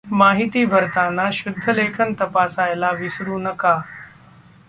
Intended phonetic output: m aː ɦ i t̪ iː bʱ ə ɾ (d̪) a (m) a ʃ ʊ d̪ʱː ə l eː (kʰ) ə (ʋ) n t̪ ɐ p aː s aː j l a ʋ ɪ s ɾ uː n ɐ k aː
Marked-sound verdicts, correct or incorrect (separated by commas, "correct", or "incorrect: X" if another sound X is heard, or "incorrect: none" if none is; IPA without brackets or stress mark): incorrect: t̪, incorrect: n, correct, incorrect: none